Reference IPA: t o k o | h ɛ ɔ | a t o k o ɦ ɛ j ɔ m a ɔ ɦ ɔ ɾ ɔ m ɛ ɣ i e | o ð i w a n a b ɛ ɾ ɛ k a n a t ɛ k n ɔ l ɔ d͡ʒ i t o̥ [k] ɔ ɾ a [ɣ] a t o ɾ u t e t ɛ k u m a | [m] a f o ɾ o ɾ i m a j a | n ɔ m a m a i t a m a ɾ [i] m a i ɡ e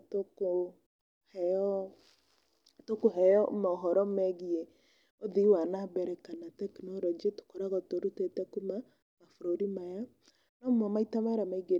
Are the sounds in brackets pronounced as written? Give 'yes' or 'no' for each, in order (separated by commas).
yes, yes, yes, no